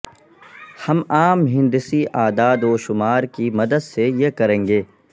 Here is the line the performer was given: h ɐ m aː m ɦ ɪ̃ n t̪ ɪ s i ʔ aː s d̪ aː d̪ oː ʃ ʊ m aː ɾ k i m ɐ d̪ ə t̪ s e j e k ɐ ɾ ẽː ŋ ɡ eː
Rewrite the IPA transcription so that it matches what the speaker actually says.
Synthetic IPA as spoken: h ɐ m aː m ɦ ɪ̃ n d̪ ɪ s i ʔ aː d̪ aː d̪ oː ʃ ʊ m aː ɾ k i m ɐ d̪ ə d̪ s e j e k ɐ ɾ ẽː ŋ ɡ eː

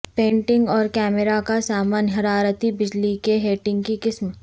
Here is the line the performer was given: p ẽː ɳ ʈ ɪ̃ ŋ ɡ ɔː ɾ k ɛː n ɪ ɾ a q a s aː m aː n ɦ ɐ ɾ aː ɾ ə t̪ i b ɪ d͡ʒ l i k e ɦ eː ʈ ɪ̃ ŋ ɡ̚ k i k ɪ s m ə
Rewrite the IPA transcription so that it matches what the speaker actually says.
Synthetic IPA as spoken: p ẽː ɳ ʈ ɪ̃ ŋ ɡ ɔː ɾ k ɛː m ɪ ɾ a k a s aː m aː n ɦ ɐ ɾ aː ɾ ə t̪ i b ɪ d͡ʒ l i k e ɦ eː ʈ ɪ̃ ŋ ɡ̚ k i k ɪ s m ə

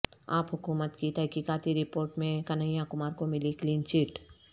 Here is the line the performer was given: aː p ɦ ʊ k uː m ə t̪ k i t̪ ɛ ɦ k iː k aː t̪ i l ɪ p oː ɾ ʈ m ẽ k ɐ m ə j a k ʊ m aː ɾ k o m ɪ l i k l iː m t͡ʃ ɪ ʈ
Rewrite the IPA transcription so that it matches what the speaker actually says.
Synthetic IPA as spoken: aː p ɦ ʊ k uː m ə t̪ k i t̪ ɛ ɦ k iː k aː t̪ i ɾ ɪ p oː ɾ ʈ m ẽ k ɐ n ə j a k ʊ m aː ɾ k o m ɪ l i k l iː n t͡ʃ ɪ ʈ

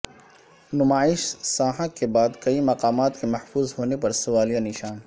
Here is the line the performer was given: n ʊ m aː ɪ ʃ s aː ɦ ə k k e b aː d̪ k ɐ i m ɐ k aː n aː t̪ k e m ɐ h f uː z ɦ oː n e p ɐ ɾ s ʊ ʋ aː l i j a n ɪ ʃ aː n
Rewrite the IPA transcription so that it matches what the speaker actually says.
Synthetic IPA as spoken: n ʊ m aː ɪ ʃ s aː ɦ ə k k e b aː d̪ k ɐ i m ɐ q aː m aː t̪ k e m ɐ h f uː z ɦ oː n e p ɐ ɾ s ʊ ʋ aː l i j a n ɪ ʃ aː n

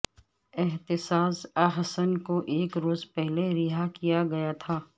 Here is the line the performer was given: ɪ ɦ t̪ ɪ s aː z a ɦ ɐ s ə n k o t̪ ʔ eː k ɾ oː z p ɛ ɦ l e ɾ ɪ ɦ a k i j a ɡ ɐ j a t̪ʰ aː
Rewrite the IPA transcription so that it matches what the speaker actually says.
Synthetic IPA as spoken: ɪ ɦ t̪ ɪ s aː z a ɦ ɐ s ə n k o ʔ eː k ɾ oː z p ɛ ɦ l e ɾ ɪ ɦ a k i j a ɡ ɐ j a t̪ʰ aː

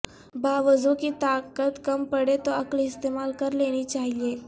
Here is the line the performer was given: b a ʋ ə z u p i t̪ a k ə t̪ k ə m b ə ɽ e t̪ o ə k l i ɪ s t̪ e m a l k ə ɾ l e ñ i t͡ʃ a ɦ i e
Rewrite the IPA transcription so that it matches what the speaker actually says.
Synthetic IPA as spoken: b a ʋ ə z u k i t̪ a k ə t̪ k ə m p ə ɽ e t̪ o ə k l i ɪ s t̪ e m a l k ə ɾ l e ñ i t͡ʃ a ɦ i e

